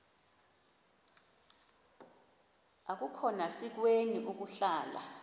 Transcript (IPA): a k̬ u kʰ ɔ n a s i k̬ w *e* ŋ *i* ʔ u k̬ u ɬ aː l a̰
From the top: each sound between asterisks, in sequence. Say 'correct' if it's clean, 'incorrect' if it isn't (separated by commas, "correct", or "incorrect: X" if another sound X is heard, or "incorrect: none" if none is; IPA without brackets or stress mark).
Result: correct, correct